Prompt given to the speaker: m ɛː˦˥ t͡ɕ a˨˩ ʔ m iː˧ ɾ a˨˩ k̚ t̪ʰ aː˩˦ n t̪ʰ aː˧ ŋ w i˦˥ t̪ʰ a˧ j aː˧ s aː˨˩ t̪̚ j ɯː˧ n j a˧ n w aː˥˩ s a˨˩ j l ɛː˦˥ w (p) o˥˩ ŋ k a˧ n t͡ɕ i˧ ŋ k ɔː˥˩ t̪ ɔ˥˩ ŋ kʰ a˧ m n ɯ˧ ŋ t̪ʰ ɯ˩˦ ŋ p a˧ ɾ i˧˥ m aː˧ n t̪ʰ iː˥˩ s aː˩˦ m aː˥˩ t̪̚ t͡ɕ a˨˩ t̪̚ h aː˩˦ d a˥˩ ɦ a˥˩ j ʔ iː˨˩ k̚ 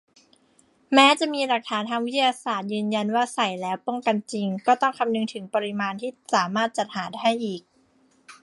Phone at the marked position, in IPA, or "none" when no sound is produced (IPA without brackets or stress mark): p